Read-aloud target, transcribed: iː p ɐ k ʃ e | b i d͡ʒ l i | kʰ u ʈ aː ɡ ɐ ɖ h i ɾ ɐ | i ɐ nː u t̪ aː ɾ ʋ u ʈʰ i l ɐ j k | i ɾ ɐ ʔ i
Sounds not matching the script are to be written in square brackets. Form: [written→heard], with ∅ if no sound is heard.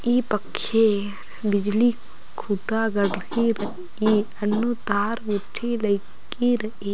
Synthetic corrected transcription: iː p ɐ k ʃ e | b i d͡ʒ l i | kʰ u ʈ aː ɡ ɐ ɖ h i ɾ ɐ | i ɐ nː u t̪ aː ɾ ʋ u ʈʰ i l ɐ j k | i ɾ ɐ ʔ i